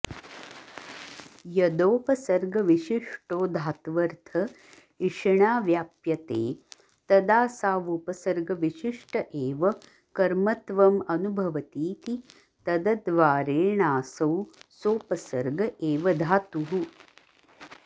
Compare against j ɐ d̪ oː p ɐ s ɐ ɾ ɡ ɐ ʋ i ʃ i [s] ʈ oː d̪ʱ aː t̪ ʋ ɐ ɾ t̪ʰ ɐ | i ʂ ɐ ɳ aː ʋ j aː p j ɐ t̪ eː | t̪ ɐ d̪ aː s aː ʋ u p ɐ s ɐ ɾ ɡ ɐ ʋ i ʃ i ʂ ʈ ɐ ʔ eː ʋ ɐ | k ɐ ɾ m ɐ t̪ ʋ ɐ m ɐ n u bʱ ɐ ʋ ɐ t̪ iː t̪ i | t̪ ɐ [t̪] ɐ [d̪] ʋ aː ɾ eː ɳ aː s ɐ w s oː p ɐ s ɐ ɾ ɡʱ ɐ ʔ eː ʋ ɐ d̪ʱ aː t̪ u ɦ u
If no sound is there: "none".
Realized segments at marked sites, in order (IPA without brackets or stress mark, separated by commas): ʂ, d̪, d̪